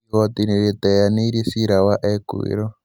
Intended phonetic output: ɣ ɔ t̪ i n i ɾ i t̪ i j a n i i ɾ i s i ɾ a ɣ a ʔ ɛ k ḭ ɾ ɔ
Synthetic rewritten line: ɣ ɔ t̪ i n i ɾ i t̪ ɛ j a n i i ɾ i s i ɾ a w a ʔ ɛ k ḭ ɾ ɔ